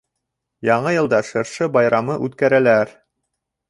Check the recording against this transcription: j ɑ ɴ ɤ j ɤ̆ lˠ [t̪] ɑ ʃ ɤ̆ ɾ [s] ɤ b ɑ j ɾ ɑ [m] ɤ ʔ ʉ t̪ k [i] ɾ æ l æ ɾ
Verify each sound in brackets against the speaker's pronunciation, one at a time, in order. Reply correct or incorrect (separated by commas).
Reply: incorrect, incorrect, correct, incorrect